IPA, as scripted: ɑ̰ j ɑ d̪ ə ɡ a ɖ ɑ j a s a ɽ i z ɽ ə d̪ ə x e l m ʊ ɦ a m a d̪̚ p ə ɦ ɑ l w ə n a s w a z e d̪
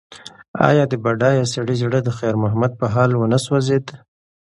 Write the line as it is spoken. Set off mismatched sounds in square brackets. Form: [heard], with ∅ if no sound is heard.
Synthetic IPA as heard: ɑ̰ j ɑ d̪ ə [b] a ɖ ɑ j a s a ɽ i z ɽ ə d̪ ə x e [ɾ] m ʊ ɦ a m a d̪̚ p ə ɦ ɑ l w ə n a s w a z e d̪